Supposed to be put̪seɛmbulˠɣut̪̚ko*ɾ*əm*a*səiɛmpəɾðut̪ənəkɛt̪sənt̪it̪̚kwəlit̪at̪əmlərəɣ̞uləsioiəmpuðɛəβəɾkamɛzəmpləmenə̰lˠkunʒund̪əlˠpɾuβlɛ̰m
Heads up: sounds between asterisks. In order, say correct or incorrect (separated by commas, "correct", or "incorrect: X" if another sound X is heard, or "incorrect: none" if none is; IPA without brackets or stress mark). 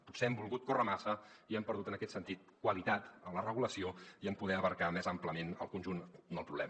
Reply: incorrect: r, correct